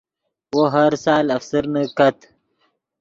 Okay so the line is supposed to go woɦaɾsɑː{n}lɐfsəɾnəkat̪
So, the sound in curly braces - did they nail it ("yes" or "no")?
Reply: no